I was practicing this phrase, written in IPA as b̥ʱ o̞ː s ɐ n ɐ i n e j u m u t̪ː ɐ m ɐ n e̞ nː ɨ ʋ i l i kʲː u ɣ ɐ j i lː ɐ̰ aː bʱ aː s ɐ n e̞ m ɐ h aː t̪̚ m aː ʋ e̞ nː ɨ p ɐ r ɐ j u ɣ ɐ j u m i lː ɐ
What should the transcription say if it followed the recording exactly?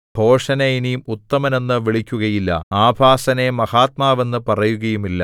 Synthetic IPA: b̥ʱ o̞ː ʂ ɐ n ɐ i n i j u m u t̪ː ɐ m ɐ n e̞ nː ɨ ʋ i ɭ i kʲː u ɣ ɐ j i lː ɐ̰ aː bʱ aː s ɐ n e̞ m ɐ h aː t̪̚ m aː ʋ e̞ nː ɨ p ɐ r ɐ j u ɣ ɐ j u m i lː ɐ